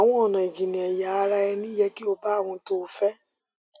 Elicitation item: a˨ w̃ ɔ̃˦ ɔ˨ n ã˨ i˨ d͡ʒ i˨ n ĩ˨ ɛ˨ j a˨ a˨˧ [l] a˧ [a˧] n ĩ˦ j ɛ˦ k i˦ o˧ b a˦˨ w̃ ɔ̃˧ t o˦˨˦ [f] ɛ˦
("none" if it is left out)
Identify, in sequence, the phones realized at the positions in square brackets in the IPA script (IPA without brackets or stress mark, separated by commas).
ɾ, ɛ˧, f